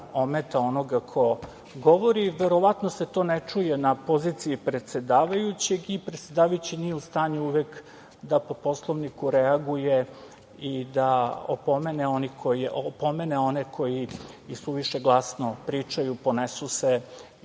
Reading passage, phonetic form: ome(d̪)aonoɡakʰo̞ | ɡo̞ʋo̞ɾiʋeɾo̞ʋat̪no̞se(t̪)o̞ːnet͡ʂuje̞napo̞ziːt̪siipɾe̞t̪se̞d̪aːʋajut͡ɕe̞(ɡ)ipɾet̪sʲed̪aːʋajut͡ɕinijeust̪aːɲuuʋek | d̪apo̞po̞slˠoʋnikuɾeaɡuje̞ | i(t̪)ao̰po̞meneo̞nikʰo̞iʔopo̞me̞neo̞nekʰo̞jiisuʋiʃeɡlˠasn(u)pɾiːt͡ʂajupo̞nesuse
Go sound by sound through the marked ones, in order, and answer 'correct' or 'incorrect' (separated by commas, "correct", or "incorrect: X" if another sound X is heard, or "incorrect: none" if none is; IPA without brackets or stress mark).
incorrect: t̪, correct, correct, incorrect: d̪, incorrect: o